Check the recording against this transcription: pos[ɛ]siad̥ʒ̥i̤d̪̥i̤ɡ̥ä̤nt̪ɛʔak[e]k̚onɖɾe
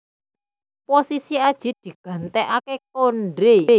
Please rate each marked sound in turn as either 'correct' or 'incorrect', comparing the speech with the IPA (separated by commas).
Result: incorrect, correct